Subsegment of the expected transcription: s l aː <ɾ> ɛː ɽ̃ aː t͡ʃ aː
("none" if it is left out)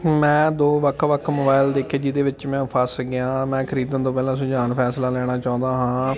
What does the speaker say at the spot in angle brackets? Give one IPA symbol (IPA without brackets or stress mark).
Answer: l